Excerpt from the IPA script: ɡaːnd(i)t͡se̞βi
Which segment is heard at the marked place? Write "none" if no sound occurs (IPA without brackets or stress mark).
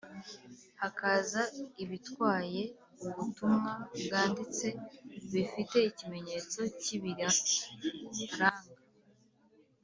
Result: i